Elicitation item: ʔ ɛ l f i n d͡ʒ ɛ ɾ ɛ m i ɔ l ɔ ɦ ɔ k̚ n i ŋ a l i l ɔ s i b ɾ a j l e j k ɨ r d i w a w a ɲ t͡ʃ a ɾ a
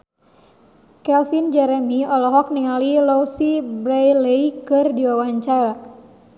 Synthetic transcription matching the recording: k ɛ l f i n d͡ʒ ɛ ɾ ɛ m i ɔ l ɔ ɦ ɔ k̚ n i ŋ a l i l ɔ s i b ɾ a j l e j k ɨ r d i w a w a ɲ t͡ʃ a ɾ a